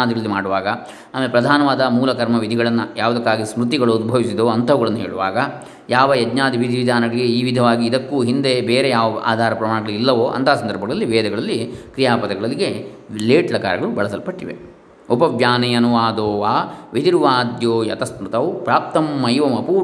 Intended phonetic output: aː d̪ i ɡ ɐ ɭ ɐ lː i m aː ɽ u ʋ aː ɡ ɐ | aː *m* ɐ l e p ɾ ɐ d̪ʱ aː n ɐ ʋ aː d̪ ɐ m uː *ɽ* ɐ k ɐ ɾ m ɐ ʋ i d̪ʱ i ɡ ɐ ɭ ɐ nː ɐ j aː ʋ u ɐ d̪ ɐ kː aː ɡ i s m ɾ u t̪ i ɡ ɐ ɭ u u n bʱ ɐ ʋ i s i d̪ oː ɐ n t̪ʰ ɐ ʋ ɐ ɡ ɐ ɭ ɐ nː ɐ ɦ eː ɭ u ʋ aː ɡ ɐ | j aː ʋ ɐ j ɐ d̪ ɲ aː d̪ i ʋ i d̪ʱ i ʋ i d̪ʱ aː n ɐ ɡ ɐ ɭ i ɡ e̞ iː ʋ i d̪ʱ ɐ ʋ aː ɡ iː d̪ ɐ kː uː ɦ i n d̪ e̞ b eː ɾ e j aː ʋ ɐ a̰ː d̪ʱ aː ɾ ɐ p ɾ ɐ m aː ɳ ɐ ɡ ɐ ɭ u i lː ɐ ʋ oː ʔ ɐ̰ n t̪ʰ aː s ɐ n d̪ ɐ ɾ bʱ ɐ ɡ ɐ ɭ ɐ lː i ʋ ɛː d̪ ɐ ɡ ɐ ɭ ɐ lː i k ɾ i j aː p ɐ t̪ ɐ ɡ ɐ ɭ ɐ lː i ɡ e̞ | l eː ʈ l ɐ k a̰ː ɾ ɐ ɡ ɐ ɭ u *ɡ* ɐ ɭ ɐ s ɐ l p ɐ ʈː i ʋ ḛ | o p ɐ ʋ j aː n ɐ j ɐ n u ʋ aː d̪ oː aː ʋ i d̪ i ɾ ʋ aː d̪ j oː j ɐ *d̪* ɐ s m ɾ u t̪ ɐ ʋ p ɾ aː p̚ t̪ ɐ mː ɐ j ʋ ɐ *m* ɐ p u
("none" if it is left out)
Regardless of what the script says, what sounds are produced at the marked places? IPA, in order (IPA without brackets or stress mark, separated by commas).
m, l, b, t̪, m